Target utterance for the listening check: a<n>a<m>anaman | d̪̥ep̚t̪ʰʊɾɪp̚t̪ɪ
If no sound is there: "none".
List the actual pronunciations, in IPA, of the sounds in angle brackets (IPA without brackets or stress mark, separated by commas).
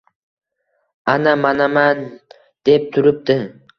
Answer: n, m